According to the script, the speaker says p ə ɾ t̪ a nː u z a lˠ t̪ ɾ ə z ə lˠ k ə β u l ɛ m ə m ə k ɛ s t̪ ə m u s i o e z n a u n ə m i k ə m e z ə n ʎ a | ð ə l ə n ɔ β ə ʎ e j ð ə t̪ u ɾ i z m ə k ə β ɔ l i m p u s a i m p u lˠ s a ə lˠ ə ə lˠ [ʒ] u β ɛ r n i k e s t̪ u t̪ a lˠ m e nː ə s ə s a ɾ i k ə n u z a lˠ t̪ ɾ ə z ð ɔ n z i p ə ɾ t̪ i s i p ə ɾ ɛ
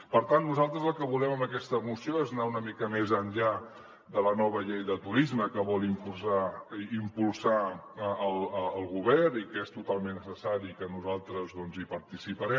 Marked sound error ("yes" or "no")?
yes